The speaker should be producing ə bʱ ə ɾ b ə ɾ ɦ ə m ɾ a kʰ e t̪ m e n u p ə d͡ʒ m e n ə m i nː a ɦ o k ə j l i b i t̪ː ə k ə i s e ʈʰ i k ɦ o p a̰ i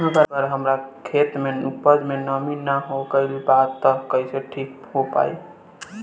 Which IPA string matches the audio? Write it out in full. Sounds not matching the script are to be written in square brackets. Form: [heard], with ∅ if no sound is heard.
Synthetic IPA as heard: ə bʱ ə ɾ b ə ɾ ɦ ə m ɾ a kʰ e t̪ m e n u p ə d͡ʒ m e n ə m i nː a ɦ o k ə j l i b [a] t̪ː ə k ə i s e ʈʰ i k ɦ o p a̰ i

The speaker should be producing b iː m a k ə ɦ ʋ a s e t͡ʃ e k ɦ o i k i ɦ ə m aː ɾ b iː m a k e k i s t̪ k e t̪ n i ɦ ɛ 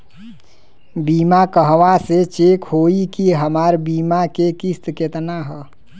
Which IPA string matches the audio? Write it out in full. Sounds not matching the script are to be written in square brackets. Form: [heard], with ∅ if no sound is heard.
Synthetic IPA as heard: b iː m a k ə ɦ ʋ a s e t͡ʃ e k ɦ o i k i ɦ ə m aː ɾ b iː m a k e k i s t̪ k e t̪ n [a] ɦ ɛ

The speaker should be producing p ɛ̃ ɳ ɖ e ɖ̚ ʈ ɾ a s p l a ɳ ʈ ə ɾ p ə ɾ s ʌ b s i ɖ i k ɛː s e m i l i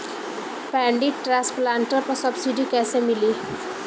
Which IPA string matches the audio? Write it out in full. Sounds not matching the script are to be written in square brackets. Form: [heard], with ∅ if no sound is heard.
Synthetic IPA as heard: p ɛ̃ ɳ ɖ [i] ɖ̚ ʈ ɾ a s p l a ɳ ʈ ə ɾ p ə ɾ s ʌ b s i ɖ i k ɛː s e m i l i

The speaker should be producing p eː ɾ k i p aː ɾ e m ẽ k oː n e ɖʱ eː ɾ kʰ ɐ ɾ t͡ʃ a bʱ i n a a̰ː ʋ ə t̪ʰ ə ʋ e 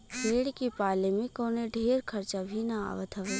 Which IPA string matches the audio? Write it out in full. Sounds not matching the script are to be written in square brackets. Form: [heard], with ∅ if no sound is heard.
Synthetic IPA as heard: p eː [ɽ] k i p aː [l] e m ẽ k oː n e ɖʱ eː ɾ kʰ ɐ ɾ t͡ʃ a bʱ i n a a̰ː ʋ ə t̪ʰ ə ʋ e

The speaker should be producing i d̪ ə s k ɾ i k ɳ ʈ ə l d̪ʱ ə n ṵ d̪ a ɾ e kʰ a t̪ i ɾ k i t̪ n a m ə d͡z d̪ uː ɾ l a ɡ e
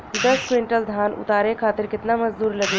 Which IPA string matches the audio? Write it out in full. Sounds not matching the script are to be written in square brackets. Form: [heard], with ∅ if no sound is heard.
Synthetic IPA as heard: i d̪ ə s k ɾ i [∅] ɳ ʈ ə l d̪ʱ [a] n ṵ [t̪] a ɾ e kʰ a t̪ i ɾ k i t̪ n a m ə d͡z d̪ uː ɾ l [ə] ɡ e

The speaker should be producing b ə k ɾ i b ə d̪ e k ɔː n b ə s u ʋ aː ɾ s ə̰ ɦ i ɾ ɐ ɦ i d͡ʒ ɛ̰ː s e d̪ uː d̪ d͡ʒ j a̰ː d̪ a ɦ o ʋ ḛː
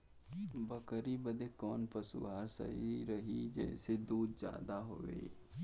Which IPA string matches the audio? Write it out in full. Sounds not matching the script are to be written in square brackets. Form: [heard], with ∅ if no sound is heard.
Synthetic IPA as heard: b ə k ɾ i b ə d̪ e k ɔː n [p] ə s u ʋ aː ɾ s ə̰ ɦ i ɾ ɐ ɦ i d͡ʒ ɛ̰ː s e d̪ uː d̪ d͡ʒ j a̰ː d̪ a ɦ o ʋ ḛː

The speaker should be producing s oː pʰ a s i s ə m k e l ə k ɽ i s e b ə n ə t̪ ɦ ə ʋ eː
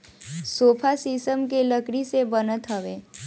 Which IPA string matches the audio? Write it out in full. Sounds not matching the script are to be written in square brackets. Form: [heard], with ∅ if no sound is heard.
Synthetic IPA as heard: s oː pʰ a s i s ə m k e l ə k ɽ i s e b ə n ə t̪ ɦ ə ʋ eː

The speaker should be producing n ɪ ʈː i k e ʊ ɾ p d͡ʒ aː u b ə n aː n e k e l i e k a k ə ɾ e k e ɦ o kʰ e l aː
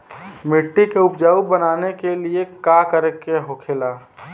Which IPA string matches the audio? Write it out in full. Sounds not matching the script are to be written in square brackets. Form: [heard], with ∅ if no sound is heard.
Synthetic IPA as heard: [m] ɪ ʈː i k e ʊ [∅] p d͡ʒ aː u b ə n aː n e k e l i e k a k ə ɾ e k e ɦ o kʰ e l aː

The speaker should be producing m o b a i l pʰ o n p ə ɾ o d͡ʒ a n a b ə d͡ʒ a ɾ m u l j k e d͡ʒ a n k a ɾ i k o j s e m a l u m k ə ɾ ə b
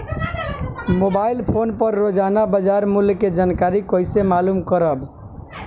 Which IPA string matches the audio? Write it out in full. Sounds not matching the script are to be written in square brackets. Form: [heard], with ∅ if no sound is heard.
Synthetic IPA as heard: m o b a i l pʰ o n p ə [ɾː] o d͡ʒ a n a b ə d͡ʒ a ɾ m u l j k e d͡ʒ a n k a ɾ i k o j s e m a l u m k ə ɾ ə b

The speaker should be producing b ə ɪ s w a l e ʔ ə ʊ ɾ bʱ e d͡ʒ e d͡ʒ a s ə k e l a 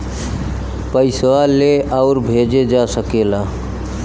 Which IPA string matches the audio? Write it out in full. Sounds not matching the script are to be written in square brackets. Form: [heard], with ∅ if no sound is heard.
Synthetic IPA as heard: [p] ə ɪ s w a l e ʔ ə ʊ ɾ bʱ e d͡ʒ e d͡ʒ a s ə k e l a

